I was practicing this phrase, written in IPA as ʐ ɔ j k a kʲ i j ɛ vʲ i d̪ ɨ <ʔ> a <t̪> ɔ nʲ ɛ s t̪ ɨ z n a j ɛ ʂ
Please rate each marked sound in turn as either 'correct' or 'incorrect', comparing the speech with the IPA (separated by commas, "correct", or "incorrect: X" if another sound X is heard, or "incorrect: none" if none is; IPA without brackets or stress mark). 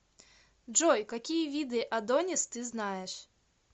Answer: correct, incorrect: d̪